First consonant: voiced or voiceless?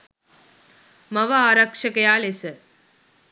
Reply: voiced